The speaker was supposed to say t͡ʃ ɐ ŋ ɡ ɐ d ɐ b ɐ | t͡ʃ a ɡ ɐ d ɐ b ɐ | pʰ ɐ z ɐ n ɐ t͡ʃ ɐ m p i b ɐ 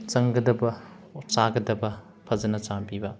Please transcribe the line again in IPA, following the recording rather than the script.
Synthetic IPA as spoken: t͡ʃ ɐ ŋ ɡ ɐ d ɐ b ɐ | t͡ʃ a ɡ ɐ d ɐ b ɐ | pʰ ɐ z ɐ n ɐ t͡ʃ a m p i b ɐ